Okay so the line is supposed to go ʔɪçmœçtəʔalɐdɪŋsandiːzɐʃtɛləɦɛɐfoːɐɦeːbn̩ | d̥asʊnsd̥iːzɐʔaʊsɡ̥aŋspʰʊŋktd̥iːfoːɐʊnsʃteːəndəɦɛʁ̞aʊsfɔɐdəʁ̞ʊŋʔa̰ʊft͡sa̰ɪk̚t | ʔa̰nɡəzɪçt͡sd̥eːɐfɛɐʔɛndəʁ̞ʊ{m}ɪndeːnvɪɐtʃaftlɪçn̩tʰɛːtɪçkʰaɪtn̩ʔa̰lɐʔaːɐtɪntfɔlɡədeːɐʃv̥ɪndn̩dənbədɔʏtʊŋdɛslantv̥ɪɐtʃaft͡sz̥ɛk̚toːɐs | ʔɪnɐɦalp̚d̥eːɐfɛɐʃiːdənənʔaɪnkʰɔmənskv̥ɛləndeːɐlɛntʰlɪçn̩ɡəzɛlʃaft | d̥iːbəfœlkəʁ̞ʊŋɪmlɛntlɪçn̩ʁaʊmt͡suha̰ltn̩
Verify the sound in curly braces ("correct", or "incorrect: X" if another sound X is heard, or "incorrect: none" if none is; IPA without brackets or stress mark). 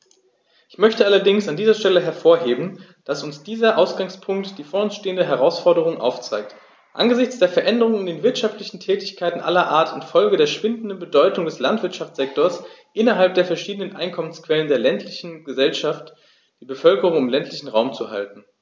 incorrect: ŋ